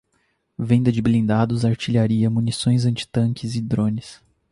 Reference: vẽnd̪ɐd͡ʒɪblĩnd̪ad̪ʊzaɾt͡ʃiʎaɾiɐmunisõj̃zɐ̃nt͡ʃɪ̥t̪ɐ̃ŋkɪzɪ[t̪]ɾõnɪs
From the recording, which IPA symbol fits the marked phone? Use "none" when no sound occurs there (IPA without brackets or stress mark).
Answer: d̪